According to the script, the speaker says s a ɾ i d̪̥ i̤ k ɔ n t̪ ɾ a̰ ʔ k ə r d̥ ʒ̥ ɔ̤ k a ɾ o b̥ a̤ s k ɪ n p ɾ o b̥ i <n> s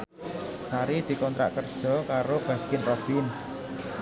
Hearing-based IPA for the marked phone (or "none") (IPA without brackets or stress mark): n